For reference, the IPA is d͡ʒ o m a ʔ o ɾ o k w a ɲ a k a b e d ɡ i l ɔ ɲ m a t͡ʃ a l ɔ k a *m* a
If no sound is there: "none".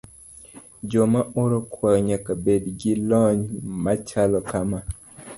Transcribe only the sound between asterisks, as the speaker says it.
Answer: m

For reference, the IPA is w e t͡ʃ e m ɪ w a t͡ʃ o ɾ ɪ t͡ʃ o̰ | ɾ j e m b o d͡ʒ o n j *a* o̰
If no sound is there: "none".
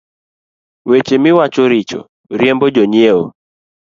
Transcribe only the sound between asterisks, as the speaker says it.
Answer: e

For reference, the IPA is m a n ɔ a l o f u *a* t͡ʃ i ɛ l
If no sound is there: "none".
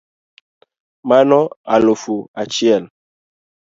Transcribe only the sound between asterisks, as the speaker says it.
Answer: a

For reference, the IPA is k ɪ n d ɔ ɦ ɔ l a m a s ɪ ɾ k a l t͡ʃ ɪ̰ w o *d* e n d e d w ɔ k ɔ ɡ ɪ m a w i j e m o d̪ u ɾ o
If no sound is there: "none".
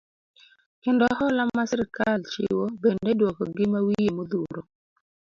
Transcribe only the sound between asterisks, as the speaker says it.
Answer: b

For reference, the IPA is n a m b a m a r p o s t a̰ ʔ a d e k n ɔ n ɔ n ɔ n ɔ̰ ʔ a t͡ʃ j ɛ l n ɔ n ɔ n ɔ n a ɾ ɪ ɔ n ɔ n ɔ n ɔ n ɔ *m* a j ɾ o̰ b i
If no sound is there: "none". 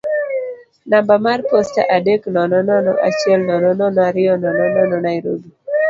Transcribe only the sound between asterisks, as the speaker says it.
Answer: n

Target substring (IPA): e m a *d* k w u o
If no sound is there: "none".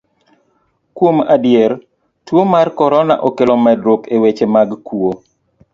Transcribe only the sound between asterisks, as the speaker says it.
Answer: ɡ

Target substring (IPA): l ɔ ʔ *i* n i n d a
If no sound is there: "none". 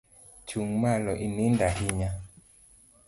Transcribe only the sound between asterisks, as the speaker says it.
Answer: i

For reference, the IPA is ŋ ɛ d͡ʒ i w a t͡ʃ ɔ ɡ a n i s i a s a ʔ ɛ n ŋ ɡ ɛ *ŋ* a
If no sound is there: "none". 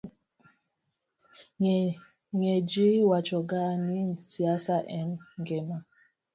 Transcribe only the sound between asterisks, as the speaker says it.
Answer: m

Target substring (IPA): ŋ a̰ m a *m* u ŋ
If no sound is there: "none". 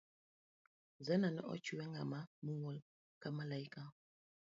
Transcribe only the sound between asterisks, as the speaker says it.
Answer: m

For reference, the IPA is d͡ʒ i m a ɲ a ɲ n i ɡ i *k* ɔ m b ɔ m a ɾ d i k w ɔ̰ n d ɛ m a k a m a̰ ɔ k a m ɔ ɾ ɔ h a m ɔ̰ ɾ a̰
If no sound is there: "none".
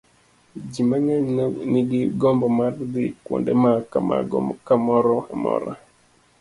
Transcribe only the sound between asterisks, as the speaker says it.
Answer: ɡ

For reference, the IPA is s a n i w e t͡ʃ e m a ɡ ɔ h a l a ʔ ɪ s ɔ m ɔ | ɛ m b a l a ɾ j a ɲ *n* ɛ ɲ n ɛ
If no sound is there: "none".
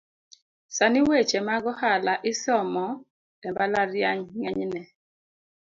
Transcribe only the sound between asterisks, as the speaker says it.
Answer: ŋ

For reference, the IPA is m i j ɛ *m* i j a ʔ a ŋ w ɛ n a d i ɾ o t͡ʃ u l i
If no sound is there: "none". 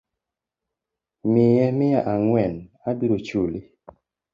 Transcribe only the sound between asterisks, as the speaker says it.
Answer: m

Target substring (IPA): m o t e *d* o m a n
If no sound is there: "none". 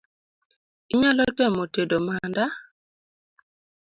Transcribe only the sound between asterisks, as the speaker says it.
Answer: d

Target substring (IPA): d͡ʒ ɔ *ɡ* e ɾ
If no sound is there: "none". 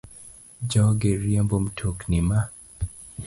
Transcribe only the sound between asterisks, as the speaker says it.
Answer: ɡ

